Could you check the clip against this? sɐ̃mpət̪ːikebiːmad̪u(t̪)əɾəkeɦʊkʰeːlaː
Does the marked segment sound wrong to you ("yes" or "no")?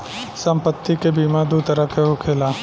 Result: no